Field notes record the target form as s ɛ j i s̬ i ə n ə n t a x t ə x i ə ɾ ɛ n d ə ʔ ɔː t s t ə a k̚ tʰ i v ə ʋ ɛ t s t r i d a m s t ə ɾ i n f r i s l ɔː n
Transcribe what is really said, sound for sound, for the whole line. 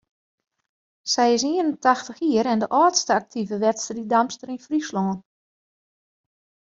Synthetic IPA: s ɛ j ɪ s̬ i ə n ə n t a x t ə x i ə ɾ ɛ n d ə ʔ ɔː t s t ə a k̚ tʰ i v ə ʋ ɛ t s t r i d a m s t ə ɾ i n f r i s l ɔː n